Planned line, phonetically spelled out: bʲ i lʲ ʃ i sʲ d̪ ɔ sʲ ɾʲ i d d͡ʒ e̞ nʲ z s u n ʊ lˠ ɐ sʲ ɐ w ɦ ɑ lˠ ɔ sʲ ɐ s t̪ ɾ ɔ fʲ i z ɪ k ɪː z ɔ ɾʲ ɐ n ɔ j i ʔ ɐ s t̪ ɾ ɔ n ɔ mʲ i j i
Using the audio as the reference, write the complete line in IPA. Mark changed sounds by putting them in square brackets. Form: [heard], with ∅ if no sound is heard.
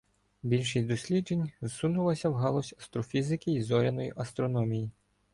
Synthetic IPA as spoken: bʲ i lʲ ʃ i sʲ d̪ ɔ sʲ [lʲ] i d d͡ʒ e̞ nʲ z s u n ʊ lˠ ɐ sʲ ɐ w ɦ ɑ lˠ ɔ sʲ ɐ s t̪ ɾ ɔ fʲ i z ɪ k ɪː z ɔ ɾʲ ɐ n ɔ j i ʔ ɐ s t̪ ɾ ɔ n ɔ mʲ i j i

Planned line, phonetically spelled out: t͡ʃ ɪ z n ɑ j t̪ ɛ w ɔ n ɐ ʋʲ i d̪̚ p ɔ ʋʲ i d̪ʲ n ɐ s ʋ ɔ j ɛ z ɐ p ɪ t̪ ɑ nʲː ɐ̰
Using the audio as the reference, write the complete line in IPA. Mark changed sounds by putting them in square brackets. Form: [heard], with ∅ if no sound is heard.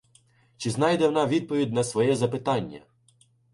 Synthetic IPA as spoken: t͡ʃ ɪ z n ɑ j [d̪] ɛ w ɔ n [ɑ] ʋʲ i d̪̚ p ɔ ʋʲ i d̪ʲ n ɐ s ʋ ɔ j ɛ z ɐ p ɪ t̪ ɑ nʲː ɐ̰

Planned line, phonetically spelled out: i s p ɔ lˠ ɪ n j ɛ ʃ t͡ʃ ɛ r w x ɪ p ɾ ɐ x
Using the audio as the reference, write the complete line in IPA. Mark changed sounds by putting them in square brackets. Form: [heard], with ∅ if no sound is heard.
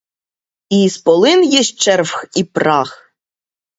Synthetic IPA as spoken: i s p ɔ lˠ ɪ n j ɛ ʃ t͡ʃ ɛ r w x [i] p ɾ [ɑ] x

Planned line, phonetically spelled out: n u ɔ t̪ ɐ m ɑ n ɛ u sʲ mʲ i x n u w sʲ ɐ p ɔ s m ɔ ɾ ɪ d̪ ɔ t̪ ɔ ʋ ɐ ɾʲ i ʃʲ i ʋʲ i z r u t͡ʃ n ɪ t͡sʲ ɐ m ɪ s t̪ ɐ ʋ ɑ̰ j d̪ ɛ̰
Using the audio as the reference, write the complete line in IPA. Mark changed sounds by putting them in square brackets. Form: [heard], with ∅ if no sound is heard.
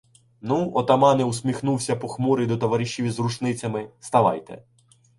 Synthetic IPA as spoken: n u ɔ t̪ ɐ m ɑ n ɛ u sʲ mʲ i x n u w sʲ ɐ p ɔ [x] m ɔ ɾ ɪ d̪ ɔ t̪ ɔ ʋ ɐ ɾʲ i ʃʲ i ʋʲ i z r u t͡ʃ n ɪ t͡sʲ ɐ m ɪ s t̪ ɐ ʋ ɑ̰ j [t̪] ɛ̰

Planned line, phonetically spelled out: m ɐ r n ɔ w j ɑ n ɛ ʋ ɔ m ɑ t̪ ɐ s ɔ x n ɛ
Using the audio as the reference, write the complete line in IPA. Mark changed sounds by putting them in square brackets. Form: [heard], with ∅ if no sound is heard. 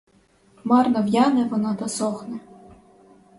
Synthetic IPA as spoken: m [ɑ] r n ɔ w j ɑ n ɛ ʋ ɔ [n] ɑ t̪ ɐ s ɔ x n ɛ

